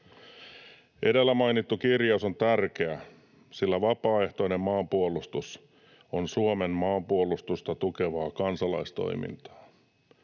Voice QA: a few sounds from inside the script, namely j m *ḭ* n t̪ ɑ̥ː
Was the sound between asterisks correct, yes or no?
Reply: yes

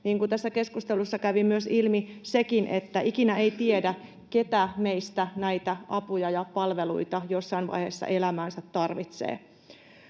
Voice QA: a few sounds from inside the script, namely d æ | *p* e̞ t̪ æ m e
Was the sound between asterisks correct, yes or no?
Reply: no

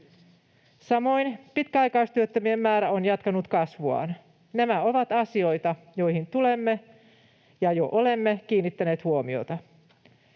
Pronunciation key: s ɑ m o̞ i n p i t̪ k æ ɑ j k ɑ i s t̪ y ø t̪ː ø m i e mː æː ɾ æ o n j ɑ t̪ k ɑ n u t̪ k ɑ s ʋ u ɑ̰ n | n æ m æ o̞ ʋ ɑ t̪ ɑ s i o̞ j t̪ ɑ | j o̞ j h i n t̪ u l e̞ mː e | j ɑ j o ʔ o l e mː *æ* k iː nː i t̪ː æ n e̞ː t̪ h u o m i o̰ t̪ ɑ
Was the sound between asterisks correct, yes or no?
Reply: no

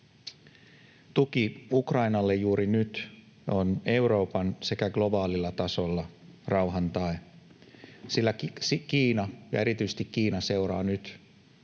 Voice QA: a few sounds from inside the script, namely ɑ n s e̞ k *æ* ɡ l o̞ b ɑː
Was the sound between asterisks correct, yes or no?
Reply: yes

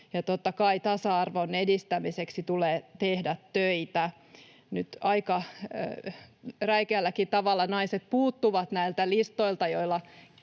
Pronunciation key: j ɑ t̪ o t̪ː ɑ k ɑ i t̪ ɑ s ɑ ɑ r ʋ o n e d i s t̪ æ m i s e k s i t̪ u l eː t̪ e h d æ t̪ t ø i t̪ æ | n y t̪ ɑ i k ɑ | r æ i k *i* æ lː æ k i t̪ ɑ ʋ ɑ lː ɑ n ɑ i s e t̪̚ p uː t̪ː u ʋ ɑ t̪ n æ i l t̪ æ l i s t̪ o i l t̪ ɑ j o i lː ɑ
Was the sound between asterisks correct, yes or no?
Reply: no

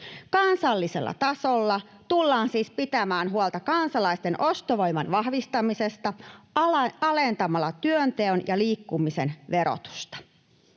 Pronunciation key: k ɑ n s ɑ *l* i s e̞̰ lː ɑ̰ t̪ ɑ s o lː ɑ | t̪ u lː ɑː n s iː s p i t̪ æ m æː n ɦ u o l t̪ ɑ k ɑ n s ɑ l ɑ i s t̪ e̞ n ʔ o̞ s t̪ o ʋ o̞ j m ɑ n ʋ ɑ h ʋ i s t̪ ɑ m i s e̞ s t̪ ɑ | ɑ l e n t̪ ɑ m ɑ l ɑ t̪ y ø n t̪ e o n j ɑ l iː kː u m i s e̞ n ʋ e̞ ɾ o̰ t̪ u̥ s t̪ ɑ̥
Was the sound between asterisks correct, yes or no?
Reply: no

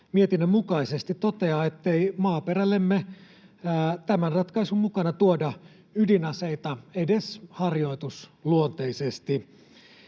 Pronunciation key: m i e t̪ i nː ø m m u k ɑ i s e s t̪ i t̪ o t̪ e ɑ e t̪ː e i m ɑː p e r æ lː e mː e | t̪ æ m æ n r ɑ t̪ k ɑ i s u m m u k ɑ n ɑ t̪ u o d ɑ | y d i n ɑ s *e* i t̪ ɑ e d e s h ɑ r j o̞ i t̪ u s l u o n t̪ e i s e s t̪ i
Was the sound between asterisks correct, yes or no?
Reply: yes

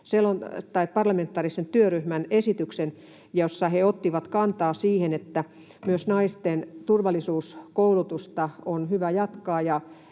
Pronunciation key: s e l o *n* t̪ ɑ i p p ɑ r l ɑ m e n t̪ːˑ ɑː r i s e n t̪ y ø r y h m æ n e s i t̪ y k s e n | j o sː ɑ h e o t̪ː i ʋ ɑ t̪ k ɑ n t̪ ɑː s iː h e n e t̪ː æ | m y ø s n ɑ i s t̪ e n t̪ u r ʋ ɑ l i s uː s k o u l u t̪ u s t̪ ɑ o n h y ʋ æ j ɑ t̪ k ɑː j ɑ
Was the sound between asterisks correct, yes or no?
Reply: yes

